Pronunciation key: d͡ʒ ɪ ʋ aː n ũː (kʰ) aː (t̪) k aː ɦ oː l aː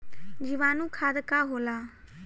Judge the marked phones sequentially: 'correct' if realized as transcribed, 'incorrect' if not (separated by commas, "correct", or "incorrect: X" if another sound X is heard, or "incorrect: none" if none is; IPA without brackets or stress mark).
correct, incorrect: d̪